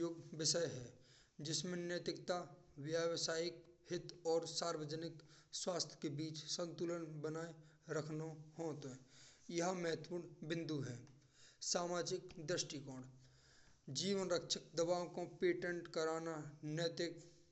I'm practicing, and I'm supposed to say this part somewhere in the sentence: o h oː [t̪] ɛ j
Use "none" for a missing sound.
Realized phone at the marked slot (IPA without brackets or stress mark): t̪